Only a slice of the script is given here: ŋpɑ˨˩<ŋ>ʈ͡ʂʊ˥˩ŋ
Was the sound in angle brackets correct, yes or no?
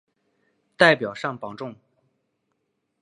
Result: yes